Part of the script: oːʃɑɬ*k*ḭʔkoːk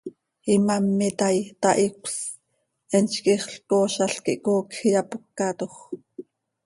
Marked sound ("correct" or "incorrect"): correct